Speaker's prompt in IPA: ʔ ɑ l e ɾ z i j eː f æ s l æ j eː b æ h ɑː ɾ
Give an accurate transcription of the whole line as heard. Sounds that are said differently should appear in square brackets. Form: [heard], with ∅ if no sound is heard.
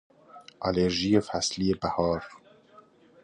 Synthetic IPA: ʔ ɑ l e ɾ [ʒ] i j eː f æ s l [i] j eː b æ h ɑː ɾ